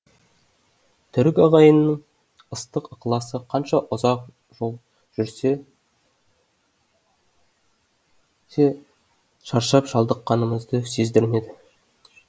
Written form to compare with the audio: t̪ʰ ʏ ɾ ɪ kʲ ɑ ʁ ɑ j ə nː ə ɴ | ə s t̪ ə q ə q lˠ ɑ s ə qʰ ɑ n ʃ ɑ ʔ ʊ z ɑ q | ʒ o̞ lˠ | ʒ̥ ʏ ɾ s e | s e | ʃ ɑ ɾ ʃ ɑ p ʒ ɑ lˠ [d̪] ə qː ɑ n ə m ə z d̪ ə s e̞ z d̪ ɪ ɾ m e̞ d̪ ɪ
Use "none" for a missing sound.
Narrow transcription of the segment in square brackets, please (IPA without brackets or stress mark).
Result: d̪